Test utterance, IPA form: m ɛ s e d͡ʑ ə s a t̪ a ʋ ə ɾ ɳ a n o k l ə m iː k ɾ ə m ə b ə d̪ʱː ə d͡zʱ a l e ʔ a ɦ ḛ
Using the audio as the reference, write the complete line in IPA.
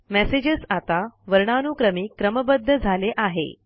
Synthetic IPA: m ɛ s e d͡ʑ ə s a t̪ a ʋ ə ɾ ɳ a n u k ɾ ə m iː k ɾ ə m ə b ə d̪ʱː ə d͡zʱ a l e ʔ a ɦ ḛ